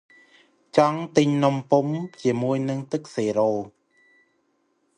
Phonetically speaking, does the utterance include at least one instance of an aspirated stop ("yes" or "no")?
no